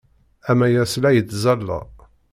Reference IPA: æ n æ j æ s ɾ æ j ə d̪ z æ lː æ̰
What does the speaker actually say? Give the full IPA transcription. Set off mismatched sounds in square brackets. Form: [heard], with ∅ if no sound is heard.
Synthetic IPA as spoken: æ [m] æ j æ s [l] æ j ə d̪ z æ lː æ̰